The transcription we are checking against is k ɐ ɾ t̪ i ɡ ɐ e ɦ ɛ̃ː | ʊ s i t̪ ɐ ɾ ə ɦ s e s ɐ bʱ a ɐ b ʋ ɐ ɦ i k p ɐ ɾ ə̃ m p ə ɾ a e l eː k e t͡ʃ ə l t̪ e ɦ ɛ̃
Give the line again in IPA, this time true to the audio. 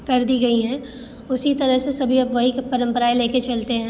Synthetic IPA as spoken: k ɐ ɾ d̪ i ɡ ɐ i ɦ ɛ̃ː | ʊ s i t̪ ɐ ɾ ə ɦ s e s ɐ bʱ i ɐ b ʋ ɐ ɦ i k p ɐ ɾ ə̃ m p ə ɾ a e l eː k e t͡ʃ ɐ l t̪ e ɦ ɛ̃

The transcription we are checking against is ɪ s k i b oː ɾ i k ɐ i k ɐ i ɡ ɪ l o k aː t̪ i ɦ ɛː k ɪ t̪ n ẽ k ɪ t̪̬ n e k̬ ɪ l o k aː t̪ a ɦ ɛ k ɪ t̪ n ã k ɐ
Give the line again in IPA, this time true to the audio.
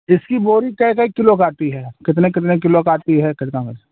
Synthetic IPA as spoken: ɪ s k i b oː ɾ i k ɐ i k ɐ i k ɪ l o k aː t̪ i ɦ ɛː k ɪ t̪ n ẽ k ɪ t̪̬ n e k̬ ɪ l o k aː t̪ i ɦ ɛ k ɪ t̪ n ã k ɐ

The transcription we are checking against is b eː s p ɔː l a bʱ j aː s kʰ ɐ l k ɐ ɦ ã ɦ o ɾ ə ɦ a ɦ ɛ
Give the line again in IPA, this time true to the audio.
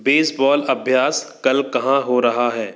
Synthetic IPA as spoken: b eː s b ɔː l ɐ bʱ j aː s k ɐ l k ɐ ɦ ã ɦ o ɾ ɐ ɦ a ɦ ɛː

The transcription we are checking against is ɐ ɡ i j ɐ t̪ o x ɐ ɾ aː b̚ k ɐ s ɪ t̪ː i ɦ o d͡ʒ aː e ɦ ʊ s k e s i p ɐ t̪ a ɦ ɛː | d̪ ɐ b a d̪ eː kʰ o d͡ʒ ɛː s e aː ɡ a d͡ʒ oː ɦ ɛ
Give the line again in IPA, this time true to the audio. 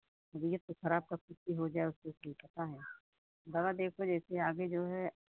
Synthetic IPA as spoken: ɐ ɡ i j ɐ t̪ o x ɐ ɾ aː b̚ k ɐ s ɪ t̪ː i ɦ o d͡ʒ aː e ʊ s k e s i p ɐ t̪ a ɦ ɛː | d̪ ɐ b a d̪ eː kʰ o d͡ʒ ɛː s e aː ɡ e d͡ʒ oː ɦ ɛ

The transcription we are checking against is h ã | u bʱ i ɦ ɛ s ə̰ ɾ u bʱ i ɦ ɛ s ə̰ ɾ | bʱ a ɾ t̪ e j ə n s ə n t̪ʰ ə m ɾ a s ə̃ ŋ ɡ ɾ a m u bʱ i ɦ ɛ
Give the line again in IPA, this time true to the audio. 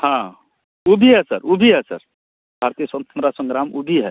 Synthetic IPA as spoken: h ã | u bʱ i ɦ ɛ s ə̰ ɾ u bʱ i ɦ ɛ s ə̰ ɾ | bʱ a ɾ t̪ i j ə s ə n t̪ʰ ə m ɾ a s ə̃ ŋ ɡ ɾ a m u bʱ i ɦ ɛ

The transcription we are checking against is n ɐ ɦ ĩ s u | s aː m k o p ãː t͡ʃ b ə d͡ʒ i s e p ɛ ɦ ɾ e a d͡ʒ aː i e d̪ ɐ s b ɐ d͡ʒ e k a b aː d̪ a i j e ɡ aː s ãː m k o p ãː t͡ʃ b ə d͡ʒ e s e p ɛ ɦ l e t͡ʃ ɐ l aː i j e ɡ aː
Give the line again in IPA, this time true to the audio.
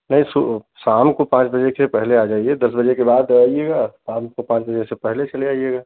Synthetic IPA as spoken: n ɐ ɦ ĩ s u | s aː m k o p ãː t͡ʃ b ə d͡ʒ e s e p ɛ ɦ l e a d͡ʒ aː i e d̪ ɐ s b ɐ d͡ʒ e k e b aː d̪ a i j e ɡ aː s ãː m k o p ãː t͡ʃ b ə d͡ʒ e s e p ɛ ɦ l e t͡ʃ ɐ l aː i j e ɡ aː

